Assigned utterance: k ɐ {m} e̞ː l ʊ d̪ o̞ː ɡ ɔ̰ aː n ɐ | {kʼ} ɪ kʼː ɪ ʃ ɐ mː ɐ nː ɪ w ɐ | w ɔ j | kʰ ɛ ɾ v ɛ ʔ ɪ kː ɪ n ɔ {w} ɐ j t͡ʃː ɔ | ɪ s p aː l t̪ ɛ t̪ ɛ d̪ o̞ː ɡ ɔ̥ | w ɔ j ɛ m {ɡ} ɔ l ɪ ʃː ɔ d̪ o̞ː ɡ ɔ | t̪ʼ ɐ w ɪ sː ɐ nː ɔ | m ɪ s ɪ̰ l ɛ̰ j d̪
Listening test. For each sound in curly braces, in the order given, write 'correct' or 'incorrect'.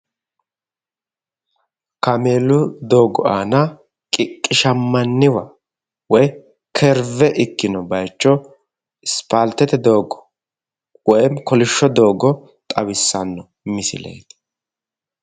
correct, correct, incorrect: b, incorrect: k

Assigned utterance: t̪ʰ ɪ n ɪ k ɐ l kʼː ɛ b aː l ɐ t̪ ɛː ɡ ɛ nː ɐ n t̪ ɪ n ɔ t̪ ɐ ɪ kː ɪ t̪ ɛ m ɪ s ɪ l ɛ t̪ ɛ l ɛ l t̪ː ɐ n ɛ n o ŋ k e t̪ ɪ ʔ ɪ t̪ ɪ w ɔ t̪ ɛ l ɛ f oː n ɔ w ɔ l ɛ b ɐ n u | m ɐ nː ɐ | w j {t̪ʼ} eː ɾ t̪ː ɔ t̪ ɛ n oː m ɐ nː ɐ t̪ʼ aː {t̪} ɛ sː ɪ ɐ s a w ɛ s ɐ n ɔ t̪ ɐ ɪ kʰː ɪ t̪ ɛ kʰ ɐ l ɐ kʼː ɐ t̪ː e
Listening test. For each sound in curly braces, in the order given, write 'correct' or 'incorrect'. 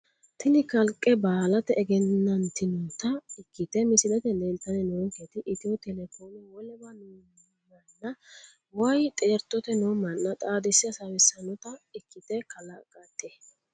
correct, incorrect: d̪

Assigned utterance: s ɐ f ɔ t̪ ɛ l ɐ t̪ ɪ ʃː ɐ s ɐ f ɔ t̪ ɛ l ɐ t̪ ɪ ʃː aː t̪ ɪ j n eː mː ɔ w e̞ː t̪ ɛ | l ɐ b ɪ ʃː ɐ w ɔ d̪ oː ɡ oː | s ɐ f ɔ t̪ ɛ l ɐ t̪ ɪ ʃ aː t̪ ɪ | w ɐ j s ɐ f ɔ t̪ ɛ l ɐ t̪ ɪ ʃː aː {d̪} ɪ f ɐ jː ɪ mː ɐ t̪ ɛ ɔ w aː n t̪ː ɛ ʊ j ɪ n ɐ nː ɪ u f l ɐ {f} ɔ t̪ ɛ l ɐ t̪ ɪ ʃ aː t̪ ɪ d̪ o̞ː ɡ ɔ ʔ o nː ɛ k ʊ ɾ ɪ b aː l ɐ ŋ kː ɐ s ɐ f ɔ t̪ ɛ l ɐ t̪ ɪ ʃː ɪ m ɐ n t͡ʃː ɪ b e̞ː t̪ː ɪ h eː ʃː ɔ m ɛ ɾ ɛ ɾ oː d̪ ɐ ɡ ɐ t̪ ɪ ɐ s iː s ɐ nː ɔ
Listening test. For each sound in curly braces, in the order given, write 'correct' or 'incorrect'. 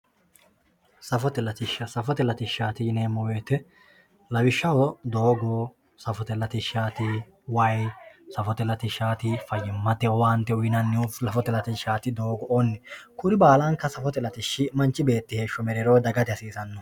incorrect: t̪, correct

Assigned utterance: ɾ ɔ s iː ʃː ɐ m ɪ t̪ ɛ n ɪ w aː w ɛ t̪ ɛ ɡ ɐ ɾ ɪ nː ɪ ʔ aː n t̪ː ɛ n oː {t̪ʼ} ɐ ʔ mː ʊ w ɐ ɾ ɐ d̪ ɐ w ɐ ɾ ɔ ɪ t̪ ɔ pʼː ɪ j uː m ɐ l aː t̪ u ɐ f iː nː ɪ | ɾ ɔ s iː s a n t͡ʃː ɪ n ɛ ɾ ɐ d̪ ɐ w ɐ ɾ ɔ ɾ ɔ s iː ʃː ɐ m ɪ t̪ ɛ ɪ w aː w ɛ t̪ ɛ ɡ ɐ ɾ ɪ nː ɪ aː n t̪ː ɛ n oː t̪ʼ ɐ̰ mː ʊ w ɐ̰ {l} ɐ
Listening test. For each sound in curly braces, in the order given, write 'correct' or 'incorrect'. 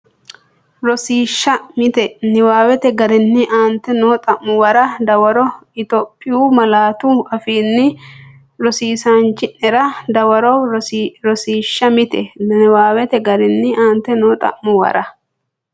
correct, incorrect: ɾ

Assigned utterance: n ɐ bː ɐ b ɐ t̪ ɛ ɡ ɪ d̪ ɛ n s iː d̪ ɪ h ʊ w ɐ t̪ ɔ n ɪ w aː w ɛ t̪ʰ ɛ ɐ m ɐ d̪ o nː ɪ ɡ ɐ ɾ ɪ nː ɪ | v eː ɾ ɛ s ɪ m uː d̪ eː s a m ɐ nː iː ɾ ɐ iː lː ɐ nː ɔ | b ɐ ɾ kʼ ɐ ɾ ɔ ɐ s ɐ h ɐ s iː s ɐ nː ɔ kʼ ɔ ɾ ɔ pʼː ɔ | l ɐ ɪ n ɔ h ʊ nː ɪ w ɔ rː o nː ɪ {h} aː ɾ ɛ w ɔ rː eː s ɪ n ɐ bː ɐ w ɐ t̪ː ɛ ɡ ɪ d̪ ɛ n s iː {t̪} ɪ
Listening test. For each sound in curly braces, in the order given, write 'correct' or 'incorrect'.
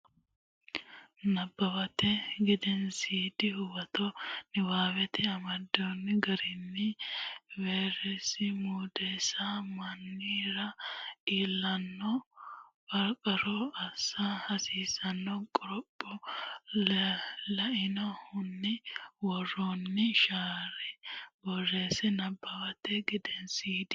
incorrect: ʃ, incorrect: d̪

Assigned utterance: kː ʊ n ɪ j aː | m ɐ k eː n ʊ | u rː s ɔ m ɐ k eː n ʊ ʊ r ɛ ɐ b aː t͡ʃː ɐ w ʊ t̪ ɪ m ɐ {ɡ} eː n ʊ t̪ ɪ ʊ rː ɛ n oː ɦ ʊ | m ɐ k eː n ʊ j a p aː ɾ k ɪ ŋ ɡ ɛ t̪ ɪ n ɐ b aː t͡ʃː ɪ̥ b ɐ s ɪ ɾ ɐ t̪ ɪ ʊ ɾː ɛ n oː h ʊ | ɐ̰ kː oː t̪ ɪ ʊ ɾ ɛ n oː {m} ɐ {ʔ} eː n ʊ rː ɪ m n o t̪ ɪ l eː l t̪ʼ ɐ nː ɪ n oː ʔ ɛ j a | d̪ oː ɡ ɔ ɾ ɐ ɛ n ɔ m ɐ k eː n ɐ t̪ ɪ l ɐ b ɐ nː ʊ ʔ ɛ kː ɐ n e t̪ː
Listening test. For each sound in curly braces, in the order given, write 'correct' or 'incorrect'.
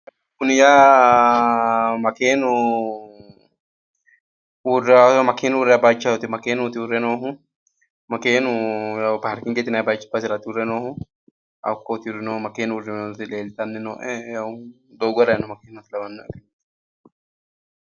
incorrect: k, correct, incorrect: k

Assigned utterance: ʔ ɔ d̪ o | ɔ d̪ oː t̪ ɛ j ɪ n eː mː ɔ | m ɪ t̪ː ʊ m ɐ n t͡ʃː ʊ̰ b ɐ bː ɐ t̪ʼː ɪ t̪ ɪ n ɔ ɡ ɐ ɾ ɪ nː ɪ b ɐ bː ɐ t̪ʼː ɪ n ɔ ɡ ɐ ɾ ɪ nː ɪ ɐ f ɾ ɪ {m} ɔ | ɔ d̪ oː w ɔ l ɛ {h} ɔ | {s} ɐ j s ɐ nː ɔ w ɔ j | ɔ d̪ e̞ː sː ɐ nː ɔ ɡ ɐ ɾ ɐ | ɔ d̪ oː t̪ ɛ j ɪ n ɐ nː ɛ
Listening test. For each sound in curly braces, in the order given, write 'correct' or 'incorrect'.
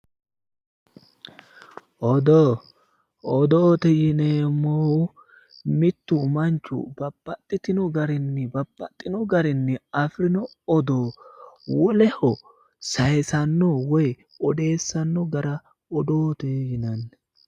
incorrect: n, correct, correct

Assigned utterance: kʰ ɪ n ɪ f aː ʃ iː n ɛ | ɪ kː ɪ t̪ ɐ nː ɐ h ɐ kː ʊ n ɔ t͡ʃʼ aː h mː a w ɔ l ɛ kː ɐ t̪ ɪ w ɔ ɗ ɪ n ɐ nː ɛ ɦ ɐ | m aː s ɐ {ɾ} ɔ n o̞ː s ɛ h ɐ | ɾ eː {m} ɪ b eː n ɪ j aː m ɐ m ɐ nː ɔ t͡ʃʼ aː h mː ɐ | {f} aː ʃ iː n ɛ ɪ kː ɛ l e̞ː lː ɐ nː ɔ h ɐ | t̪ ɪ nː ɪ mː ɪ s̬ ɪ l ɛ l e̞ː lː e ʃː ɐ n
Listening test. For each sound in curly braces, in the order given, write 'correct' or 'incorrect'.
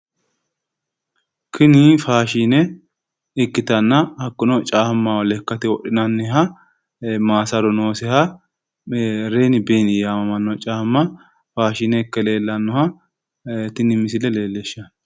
correct, incorrect: n, correct

